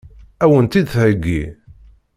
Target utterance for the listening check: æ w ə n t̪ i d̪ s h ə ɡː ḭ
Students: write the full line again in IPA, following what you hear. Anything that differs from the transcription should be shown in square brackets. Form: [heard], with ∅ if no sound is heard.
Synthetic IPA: æ w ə n t̪ i d̪ [θ] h ə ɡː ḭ